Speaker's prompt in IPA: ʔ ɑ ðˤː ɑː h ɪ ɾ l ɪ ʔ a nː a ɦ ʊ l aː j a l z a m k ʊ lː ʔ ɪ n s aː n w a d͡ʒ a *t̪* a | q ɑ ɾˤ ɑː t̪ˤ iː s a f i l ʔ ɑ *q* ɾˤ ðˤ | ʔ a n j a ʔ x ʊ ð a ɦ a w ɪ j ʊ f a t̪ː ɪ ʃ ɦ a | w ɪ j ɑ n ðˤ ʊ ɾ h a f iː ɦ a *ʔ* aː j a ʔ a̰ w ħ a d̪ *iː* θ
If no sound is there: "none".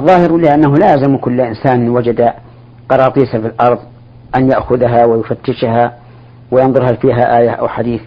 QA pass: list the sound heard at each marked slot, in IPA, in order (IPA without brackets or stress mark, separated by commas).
d̪, none, ʔ, iː